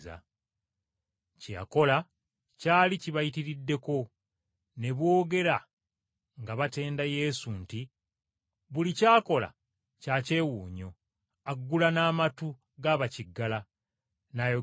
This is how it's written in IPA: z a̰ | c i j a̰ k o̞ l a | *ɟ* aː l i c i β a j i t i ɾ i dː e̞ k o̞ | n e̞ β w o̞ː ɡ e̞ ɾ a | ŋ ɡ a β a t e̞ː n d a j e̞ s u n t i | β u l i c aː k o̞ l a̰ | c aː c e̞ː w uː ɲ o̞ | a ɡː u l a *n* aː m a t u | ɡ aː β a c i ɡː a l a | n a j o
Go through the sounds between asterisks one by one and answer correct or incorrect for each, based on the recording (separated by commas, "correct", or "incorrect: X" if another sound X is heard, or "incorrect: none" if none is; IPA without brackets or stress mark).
incorrect: c, correct